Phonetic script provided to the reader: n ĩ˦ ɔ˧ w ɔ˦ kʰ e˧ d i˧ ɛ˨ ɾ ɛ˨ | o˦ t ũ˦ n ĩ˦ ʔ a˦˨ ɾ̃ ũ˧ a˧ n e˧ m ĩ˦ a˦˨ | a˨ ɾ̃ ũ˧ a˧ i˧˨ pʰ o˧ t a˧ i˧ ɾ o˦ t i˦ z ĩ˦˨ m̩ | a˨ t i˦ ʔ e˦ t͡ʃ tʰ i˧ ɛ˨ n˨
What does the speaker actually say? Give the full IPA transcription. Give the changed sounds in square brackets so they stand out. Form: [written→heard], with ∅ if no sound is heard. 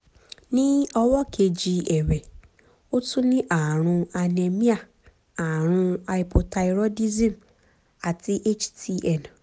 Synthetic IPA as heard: n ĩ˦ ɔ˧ w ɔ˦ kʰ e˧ [d→d͡ʒ] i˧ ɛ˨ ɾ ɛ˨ | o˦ t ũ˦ n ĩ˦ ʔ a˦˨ ɾ̃ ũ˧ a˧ n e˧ m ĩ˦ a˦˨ | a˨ ɾ̃ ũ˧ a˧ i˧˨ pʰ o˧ t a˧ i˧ ɾ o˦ [t→d] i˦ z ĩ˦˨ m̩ | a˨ t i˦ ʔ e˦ t͡ʃ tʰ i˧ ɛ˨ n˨